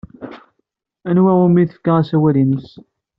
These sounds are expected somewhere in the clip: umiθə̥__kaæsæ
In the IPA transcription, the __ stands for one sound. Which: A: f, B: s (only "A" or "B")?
A